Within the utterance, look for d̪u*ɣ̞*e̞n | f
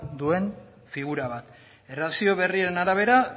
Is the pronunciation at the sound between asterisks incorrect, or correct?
incorrect